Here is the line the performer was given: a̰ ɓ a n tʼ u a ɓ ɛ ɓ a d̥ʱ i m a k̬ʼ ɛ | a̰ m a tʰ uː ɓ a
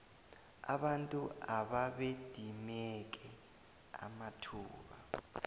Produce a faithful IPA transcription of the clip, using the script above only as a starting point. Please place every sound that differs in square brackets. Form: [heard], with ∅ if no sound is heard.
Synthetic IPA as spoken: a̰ ɓ a n tʼ u a ɓ [a] ɓ [e] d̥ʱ i m [ɛ] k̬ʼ ɛ | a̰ m a tʰ uː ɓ a